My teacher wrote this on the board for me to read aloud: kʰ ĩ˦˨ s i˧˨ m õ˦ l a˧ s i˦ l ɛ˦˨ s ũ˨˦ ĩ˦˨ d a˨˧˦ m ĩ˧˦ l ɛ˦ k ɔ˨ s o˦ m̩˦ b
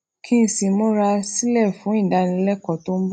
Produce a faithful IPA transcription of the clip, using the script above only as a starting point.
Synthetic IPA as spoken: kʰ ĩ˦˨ s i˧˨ m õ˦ ɾ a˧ s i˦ l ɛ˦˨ f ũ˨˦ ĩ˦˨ d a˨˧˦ n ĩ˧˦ l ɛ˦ k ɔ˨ t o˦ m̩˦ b